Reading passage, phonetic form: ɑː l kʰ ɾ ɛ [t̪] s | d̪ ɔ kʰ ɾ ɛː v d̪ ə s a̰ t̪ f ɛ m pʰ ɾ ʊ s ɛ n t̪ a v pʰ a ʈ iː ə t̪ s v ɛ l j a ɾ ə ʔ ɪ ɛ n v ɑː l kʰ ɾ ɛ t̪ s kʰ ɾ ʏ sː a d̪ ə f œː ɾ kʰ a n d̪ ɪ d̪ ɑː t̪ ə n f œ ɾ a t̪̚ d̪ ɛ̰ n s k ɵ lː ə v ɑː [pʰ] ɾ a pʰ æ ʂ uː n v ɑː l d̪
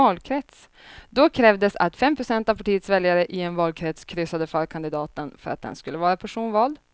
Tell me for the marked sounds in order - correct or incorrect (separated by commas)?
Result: correct, incorrect